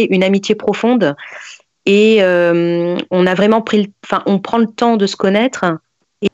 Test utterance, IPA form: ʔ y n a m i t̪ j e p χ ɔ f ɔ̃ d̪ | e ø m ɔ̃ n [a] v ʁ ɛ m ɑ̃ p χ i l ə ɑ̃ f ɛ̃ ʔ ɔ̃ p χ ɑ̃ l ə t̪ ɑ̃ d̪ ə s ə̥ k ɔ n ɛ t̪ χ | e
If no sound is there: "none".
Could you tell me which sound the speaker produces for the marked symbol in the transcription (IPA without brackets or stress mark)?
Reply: a